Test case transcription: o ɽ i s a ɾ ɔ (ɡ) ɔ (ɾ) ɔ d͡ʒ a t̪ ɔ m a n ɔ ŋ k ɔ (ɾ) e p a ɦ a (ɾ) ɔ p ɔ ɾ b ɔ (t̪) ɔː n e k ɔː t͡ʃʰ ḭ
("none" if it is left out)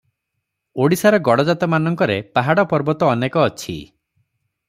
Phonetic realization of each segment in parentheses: ɡ, ɽ, ɾ, ɽ, t̪

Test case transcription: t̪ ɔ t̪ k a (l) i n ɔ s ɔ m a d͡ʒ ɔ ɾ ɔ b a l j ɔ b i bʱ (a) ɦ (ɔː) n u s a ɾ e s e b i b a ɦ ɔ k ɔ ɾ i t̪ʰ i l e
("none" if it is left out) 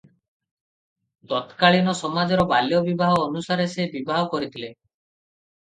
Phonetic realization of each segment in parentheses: ɭ, a, ɔː

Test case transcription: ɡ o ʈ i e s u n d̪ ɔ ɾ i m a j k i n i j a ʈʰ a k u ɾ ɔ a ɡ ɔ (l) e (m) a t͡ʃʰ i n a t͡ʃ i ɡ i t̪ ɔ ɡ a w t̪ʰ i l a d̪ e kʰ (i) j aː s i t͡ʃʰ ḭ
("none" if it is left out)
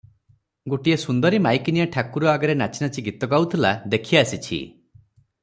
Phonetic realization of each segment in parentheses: ɾ, n, i

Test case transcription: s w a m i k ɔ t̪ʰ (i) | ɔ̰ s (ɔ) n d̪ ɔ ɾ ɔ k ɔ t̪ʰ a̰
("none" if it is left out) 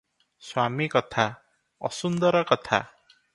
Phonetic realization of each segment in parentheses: a, u

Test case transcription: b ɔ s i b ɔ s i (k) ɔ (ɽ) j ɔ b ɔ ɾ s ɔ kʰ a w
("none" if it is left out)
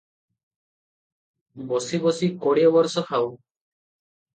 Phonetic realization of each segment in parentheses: k, ɽ

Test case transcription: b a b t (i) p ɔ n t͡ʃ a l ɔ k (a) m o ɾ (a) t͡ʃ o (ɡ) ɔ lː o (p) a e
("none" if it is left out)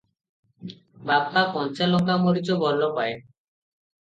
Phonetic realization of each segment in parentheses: a, a, i, b, p

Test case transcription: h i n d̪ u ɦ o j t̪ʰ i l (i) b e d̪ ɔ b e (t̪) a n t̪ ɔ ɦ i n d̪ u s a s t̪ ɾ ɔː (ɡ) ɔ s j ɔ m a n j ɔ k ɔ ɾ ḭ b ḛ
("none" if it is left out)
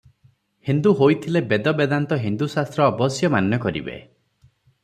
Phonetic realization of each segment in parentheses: e, d̪, b

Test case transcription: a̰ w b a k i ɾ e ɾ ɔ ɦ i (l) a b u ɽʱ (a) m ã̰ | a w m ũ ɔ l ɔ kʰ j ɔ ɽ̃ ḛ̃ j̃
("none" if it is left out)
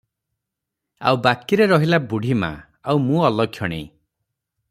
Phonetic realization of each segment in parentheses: l, i

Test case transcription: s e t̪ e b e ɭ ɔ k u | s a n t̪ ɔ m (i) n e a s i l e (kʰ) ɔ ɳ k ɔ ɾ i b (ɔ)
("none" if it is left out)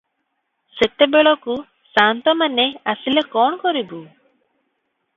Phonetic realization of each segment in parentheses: a, k, u

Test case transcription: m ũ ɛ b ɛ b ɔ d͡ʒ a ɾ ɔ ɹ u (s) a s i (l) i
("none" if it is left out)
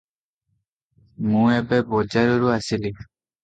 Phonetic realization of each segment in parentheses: none, l

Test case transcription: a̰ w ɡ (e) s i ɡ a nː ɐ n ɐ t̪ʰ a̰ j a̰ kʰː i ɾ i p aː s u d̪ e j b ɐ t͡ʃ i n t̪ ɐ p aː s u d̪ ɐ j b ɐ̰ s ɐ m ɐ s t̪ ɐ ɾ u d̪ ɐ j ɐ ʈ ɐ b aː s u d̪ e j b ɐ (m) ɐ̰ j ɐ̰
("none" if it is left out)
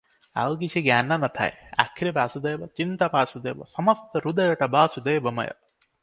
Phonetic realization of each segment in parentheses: i, m

